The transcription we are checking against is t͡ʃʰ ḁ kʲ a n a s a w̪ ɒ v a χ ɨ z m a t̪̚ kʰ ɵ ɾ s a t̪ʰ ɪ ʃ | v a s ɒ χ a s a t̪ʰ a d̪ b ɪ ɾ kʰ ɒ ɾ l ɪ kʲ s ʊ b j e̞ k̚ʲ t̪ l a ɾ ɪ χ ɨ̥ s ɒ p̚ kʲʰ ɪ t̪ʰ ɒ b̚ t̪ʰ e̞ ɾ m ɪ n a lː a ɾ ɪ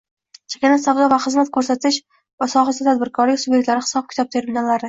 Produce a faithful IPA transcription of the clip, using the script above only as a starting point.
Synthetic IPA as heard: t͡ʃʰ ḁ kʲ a n a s a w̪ ɒ v a χ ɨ z m a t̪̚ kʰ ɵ ɾ s a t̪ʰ ɪ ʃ | v a s ɒ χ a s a t̪ʰ a d̪ b ɪ ɾ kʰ ɒ ɾ l ɪ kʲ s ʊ b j e̞ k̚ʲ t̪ l a ɾ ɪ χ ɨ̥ s ɒ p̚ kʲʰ ɪ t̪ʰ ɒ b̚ t̪ʰ e̞ ɾ m ɪ n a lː a ɾ ɪ